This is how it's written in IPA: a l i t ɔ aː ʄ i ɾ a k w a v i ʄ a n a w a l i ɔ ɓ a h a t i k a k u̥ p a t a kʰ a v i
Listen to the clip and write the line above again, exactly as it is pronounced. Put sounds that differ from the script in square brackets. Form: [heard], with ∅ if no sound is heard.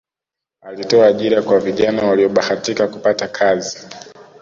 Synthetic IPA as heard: a l i t ɔ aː ʄ i ɾ a k w a v i ʄ a n a w a l i ɔ ɓ a h a t i k a k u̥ p a t a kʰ a [z] i